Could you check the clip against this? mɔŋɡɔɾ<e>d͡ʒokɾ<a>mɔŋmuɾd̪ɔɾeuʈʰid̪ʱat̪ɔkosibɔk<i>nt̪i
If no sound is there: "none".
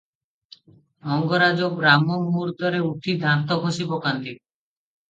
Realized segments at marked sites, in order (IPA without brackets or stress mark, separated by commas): a, a, a